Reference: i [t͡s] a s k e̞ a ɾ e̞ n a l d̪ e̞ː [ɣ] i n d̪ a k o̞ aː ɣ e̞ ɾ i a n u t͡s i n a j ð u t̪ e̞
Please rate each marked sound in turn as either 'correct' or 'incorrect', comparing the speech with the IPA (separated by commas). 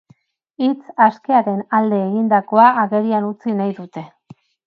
correct, correct